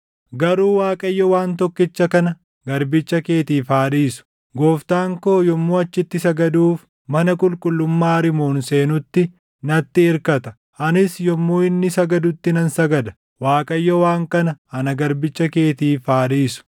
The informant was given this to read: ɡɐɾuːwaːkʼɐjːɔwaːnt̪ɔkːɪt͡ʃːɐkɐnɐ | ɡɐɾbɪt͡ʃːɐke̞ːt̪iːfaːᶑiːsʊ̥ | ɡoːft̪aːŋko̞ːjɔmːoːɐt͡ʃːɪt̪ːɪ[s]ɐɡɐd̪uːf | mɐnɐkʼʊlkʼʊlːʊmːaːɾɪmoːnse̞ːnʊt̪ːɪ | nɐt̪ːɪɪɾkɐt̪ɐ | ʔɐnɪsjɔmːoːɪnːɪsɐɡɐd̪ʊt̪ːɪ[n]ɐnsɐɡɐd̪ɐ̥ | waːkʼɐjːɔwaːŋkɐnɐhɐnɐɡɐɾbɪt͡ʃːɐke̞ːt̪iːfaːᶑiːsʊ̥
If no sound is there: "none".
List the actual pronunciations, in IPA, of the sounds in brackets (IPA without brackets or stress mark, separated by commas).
s, n